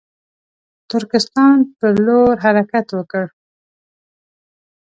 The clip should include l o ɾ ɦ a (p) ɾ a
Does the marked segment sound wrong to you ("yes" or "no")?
yes